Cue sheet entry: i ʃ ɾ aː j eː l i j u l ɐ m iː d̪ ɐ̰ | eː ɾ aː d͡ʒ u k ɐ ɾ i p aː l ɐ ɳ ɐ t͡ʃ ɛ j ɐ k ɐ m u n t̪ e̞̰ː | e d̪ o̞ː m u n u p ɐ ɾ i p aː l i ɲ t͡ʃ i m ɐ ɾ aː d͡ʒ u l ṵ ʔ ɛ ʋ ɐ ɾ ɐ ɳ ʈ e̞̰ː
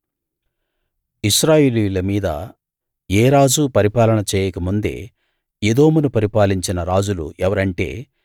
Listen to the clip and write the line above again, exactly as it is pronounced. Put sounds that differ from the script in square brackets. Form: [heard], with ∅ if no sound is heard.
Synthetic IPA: i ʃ ɾ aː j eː l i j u l ɐ m iː d̪ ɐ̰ | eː ɾ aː d͡ʒ u [p] ɐ ɾ i p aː l ɐ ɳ ɐ t͡ʃ [ɛː] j ɐ k ɐ m u n [d̪] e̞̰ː | e d̪ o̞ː m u n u p ɐ ɾ i p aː l i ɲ t͡ʃ i [n] ɐ ɾ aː d͡ʒ u l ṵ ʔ ɛ ʋ ɐ ɾ ɐ ɳ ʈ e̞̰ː

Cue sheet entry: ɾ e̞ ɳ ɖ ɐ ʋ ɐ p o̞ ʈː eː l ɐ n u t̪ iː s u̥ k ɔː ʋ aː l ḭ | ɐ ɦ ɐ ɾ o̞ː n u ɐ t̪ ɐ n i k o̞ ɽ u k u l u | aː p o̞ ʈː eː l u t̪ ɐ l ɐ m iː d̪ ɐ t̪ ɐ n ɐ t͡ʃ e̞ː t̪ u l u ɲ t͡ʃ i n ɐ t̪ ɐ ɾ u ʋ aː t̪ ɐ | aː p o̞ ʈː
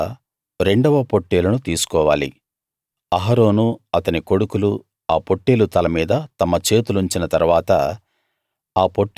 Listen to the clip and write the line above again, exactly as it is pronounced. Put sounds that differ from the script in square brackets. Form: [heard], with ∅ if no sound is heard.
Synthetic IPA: ɾ e̞ ɳ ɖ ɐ ʋ ɐ p o̞ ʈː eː l ɐ n u t̪ iː s u̥ k ɔː ʋ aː l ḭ | ɐ ɦ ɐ ɾ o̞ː n u ɐ t̪ ɐ n i k o̞ ɽ u k u l u | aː p o̞ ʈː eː l u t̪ ɐ l ɐ m iː d̪ ɐ t̪ ɐ [m] ɐ t͡ʃ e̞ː t̪ u l u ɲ t͡ʃ i n ɐ t̪ ɐ ɾ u ʋ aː t̪ ɐ | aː p o̞ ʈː

